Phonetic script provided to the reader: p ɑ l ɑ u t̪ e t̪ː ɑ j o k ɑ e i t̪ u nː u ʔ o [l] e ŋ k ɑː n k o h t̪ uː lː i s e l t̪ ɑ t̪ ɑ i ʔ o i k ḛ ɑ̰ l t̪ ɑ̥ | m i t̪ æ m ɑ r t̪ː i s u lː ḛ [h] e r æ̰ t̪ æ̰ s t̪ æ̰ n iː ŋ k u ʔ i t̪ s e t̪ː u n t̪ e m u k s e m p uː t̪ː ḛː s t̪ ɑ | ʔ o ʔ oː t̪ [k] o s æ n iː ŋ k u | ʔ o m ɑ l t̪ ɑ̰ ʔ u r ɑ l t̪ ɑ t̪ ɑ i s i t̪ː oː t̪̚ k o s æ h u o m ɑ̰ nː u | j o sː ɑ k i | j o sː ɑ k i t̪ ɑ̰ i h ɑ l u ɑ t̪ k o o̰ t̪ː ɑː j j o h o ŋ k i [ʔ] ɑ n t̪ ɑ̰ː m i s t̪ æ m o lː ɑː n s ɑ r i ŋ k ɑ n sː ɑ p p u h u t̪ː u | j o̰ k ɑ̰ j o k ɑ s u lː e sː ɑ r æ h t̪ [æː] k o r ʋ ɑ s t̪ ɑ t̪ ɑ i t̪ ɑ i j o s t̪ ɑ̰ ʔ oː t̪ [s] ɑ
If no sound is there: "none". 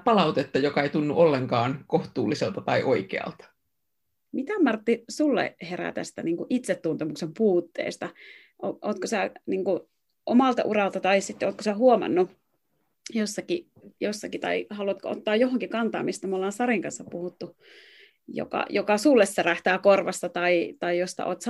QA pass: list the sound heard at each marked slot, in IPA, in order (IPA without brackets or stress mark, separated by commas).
lː, h, k, k, æː, s